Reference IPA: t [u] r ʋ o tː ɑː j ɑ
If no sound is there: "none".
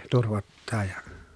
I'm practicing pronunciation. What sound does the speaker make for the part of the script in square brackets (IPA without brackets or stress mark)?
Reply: u